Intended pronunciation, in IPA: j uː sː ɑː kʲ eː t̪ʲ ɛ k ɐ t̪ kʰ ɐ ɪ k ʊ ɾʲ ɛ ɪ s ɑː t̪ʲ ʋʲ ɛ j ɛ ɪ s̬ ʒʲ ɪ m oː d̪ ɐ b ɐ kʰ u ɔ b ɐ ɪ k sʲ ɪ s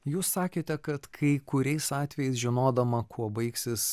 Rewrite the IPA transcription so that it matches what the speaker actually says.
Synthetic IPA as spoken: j uː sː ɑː kʲ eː t̪ʲ ɛ k ɐ t̪ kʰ ɐ ɪ k ʊ ɾʲ ɛ ɪ s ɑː t̪ʲ ʋʲ ɛ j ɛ ɪ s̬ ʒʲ ɪ n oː d̪ ɐ m ɐ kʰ u ɔ b ɐ ɪ k sʲ ɪ s